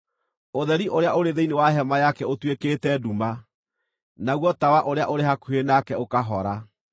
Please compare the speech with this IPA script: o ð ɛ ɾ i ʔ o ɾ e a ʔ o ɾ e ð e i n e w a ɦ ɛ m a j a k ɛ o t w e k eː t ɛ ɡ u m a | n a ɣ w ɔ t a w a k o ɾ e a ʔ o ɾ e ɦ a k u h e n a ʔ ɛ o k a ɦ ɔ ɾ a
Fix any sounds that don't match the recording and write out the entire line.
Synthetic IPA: o ð ɛ ɾ i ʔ o ɾ e a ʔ o ɾ e ð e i n e w a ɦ ɛ m a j a k ɛ o t w e k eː t ɛ d u m a | n a ɣ w ɔ t a w a ʔ o ɾ e a ʔ o ɾ e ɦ a k u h e n a k ɛ o k a ɦ ɔ ɾ a